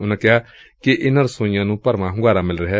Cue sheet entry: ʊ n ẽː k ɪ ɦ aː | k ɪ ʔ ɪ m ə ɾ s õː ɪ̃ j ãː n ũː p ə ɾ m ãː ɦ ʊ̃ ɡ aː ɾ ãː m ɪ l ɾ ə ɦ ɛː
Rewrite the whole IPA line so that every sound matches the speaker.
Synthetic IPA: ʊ n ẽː k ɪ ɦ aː | k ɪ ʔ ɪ n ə ɾ s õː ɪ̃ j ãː n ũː p ə ɾ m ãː ɦ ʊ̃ ɡ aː ɾ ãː m ɪ l ɾ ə ɦ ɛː